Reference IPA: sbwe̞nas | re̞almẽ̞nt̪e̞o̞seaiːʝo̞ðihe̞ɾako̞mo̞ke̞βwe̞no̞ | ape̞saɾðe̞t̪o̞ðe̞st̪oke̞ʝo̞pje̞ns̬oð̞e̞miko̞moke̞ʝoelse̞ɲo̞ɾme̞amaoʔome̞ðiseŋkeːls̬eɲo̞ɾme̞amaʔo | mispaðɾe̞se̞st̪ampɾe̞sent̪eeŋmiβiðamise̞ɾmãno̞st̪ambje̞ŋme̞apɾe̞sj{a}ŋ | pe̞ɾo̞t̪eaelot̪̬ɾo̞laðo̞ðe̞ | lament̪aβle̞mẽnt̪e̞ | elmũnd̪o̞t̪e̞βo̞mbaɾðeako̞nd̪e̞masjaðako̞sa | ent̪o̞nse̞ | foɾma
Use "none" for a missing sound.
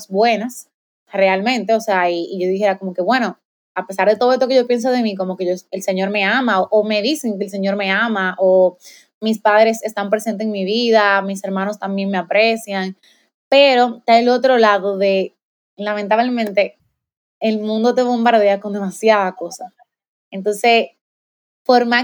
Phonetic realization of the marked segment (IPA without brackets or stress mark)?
a